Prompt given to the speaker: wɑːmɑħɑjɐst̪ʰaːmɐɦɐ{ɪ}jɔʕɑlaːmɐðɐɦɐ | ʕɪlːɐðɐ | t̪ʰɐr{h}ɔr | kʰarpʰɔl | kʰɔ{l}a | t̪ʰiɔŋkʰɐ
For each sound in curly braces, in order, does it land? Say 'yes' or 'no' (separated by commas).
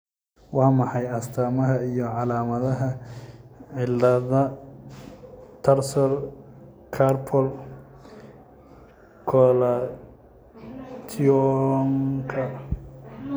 no, no, yes